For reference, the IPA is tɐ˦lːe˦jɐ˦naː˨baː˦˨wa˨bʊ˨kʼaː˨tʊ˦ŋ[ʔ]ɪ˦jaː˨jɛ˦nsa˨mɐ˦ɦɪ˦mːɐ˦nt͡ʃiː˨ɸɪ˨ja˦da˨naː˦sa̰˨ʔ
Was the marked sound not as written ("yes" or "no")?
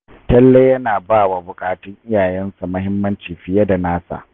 no